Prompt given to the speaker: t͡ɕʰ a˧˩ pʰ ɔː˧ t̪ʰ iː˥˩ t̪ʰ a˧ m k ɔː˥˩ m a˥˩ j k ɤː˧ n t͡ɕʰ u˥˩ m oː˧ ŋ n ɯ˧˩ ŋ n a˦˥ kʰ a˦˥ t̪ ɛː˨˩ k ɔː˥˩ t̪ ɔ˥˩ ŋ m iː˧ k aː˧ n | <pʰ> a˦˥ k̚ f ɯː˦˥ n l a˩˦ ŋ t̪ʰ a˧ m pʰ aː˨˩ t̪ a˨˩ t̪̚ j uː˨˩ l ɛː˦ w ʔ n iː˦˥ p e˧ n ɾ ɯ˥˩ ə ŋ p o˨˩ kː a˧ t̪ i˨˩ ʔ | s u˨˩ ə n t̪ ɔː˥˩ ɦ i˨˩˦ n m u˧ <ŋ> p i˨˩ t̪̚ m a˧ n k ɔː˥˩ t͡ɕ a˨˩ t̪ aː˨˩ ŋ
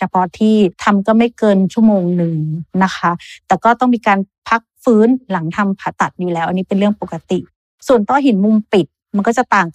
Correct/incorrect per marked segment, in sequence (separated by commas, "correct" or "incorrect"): correct, incorrect